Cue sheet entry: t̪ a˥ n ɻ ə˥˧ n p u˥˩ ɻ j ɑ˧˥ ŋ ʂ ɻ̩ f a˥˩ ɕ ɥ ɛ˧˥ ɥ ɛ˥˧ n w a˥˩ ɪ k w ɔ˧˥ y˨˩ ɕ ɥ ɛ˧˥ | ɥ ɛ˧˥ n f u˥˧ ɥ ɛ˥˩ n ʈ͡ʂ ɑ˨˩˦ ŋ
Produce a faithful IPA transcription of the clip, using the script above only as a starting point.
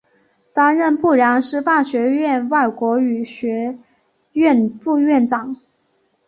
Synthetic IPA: t̪ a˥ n ɻ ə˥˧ n p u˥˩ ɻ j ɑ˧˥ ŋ ʂ ɻ̩ f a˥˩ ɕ ɥ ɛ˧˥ ɥ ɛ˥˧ n w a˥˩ ɪ k w ɔ˧˥ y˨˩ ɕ ɥ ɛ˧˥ | ɥ ɛ˥˧˩ n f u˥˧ ɥ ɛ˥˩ n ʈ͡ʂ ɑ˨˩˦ ŋ